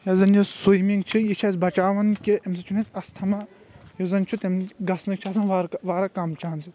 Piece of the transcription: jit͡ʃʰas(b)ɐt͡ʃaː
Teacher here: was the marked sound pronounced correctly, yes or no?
yes